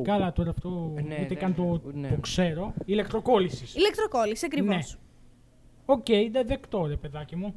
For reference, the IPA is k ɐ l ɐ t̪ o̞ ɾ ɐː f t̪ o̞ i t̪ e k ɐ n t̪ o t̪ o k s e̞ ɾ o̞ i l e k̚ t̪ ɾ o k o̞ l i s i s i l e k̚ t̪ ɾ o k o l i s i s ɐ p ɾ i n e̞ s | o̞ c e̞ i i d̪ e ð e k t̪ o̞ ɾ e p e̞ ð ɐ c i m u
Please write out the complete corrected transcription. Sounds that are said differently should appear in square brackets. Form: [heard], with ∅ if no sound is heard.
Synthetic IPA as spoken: k ɐ l ɐ t̪ o̞ ɾ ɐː f t̪ o̞ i t̪ e k ɐ n t̪ o t̪ o k s e̞ ɾ o̞ i l e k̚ t̪ ɾ o k o̞ l i s i s i l e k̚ t̪ ɾ o k o l i s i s ɐ [k] ɾ i n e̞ s | o̞ c e̞ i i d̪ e ð e k t̪ o̞ ɾ e p e̞ ð ɐ c i m u